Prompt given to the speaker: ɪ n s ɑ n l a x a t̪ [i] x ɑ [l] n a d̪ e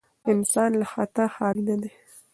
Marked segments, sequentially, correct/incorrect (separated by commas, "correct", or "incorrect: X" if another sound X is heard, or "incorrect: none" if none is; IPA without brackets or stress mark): incorrect: a, correct